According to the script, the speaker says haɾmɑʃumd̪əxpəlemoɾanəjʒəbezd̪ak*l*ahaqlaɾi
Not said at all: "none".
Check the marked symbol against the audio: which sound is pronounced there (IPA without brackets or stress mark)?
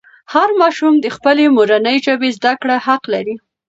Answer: ɽ